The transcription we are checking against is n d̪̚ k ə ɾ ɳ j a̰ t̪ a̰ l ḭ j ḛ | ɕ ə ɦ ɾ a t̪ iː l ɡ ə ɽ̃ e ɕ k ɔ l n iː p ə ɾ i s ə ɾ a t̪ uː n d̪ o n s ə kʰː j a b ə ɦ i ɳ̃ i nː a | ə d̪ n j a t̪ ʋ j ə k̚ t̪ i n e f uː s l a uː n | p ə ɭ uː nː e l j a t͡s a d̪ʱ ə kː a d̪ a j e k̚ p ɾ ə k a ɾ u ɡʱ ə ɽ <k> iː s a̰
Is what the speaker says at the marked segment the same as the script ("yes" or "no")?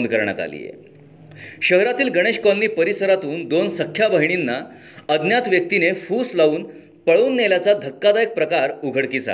yes